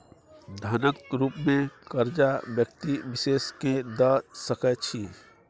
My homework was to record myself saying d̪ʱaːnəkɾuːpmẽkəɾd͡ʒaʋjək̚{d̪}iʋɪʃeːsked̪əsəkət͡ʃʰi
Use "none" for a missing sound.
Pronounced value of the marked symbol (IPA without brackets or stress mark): t̪